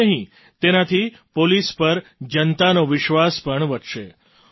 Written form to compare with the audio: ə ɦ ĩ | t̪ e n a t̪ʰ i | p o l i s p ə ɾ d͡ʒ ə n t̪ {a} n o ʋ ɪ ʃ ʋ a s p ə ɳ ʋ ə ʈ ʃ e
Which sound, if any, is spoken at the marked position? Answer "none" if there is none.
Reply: a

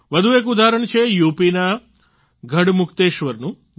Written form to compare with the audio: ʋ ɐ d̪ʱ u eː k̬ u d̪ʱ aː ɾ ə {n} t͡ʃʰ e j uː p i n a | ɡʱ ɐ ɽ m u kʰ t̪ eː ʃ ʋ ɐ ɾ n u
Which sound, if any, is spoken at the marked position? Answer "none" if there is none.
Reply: ɳ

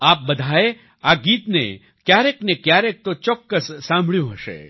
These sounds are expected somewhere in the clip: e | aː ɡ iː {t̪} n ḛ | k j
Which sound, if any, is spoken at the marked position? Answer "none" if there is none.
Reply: t̪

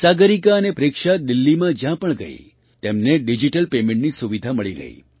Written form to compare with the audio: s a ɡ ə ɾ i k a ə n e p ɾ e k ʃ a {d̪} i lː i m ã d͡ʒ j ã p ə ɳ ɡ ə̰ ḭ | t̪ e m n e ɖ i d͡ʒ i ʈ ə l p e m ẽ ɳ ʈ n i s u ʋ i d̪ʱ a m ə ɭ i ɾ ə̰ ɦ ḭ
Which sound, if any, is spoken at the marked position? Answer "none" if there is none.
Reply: d̪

